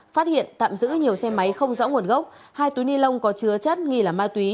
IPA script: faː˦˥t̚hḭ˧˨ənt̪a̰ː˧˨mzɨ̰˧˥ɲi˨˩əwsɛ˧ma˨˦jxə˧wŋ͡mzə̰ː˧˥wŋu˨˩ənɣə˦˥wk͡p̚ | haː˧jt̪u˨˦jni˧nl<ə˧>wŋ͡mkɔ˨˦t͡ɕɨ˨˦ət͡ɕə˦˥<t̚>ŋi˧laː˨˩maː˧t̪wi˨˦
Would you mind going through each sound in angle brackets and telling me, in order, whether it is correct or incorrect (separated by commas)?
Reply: correct, correct